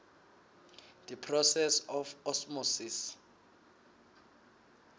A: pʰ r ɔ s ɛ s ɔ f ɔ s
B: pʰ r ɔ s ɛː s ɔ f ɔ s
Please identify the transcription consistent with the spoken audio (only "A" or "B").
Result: A